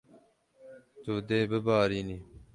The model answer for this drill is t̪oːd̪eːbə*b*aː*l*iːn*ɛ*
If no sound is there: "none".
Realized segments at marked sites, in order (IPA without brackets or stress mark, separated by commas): b, ɾ, i